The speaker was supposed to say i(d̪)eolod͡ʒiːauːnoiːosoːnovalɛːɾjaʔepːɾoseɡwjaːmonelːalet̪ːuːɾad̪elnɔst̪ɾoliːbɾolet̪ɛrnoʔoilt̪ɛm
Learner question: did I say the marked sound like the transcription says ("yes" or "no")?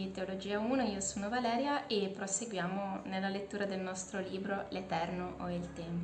no